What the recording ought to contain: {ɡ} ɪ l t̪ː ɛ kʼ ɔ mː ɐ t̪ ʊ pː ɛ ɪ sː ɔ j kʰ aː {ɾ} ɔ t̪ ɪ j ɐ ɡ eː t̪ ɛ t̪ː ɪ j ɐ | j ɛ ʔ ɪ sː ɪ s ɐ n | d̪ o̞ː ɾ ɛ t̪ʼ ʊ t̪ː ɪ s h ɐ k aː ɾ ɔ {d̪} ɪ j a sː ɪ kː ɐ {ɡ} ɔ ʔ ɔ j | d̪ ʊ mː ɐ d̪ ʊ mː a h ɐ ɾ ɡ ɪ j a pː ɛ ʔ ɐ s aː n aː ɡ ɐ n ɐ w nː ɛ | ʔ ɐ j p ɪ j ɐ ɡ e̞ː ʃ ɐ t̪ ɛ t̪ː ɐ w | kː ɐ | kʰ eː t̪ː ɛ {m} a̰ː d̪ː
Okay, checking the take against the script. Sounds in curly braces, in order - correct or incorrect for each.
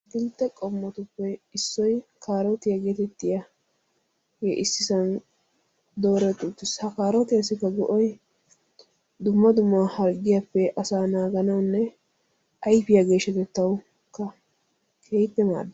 correct, correct, incorrect: t̪, correct, correct

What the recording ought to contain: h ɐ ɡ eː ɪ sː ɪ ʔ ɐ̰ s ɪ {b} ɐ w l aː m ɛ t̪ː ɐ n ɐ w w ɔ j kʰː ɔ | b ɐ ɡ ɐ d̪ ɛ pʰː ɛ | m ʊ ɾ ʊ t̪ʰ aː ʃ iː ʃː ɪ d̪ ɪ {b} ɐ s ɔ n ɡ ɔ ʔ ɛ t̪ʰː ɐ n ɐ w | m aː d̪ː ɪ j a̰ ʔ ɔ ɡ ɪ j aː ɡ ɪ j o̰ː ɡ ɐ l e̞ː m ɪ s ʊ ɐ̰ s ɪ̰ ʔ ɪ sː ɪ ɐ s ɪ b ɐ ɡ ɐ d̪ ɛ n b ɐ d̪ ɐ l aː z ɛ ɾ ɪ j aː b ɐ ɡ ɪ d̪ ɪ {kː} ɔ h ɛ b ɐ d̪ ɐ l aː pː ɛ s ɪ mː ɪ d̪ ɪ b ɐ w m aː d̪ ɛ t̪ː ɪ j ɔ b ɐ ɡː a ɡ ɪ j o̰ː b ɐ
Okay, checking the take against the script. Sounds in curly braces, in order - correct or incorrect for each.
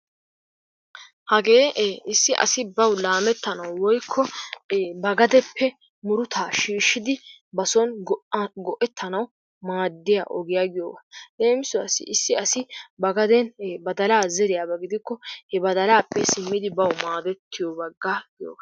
correct, correct, correct

